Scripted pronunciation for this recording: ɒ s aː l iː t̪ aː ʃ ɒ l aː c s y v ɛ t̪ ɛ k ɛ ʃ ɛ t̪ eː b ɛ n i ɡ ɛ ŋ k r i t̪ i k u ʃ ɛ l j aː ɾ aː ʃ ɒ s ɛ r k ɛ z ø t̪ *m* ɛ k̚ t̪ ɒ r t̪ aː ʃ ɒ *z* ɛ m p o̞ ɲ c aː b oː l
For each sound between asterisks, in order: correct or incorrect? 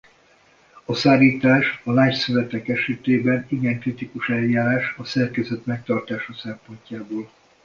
correct, incorrect: s

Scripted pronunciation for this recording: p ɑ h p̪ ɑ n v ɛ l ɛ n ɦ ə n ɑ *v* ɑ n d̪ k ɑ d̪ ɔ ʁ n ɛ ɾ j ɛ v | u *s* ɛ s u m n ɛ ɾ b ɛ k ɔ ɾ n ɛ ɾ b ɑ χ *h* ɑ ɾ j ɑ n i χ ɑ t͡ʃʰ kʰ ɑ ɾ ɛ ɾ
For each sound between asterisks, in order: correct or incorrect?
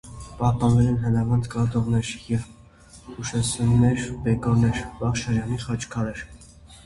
correct, incorrect: ʃ, incorrect: ʃ

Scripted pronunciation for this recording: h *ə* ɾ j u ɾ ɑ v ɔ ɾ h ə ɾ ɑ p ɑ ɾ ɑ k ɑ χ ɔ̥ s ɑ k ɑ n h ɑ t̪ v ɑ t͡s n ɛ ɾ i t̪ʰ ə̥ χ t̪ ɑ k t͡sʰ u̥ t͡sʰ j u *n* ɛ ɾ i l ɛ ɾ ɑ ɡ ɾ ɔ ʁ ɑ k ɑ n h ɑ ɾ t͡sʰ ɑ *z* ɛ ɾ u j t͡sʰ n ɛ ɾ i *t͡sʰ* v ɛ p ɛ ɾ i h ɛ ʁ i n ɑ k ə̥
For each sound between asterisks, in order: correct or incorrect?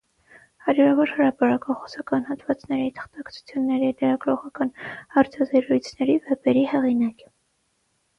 incorrect: ɑ, incorrect: nː, correct, incorrect: none

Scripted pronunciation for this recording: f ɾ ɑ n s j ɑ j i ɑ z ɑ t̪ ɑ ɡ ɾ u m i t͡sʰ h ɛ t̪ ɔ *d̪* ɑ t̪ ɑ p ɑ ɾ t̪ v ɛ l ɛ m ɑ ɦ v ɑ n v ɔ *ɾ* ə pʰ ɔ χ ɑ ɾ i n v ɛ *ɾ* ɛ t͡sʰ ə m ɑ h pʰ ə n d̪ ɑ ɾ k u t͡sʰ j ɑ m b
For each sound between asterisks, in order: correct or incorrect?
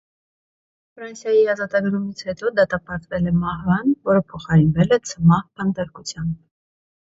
correct, correct, incorrect: l

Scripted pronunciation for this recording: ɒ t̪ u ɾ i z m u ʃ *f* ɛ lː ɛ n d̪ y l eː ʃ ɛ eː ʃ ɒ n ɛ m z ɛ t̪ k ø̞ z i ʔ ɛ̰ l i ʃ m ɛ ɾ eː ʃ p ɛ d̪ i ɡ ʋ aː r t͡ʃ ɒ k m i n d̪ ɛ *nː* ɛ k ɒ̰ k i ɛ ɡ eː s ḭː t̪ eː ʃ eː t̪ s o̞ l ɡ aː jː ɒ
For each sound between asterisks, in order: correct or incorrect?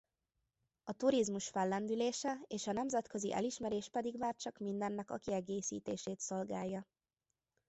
correct, correct

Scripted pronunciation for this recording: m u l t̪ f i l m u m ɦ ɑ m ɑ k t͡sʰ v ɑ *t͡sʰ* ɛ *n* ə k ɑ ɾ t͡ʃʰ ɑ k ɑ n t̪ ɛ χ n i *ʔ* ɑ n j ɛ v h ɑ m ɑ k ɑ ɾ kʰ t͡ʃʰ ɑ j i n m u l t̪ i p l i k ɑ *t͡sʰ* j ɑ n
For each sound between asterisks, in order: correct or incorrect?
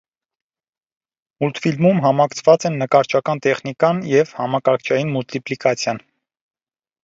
incorrect: t͡s, incorrect: nː, incorrect: k, correct

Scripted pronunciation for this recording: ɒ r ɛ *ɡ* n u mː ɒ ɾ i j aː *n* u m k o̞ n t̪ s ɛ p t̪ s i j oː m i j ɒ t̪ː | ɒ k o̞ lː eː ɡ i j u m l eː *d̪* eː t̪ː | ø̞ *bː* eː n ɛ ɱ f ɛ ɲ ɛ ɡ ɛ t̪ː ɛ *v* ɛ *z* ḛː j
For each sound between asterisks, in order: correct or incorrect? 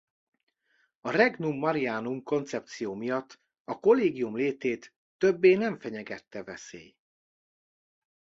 correct, correct, incorrect: t̪, correct, correct, incorrect: s

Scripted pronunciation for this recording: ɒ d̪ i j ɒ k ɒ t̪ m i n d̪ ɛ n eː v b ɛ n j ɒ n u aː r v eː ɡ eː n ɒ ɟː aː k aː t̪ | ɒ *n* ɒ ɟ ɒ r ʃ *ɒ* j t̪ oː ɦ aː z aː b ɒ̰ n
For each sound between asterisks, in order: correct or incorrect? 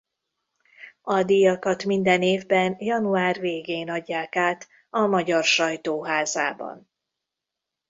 incorrect: m, correct

